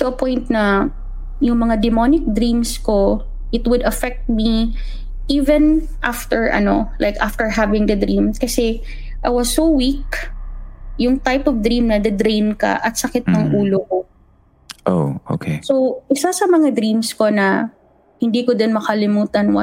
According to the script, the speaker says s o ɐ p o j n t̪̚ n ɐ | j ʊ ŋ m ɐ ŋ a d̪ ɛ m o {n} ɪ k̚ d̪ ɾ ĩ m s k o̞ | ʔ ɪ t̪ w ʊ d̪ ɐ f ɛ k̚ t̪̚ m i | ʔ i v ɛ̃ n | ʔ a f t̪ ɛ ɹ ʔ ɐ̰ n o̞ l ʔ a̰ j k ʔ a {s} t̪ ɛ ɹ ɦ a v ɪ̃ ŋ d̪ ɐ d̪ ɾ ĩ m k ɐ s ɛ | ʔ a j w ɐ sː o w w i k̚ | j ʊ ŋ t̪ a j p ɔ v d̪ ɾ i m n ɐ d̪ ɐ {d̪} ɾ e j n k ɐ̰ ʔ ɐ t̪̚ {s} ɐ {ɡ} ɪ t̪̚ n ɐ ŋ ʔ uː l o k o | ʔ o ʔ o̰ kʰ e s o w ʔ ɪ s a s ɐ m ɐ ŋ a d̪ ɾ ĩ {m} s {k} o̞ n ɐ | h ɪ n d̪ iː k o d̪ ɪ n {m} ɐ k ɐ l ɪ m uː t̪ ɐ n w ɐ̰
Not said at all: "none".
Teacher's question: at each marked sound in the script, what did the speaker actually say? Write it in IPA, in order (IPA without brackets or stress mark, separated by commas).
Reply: n, f, d̪, s, k, m, k, m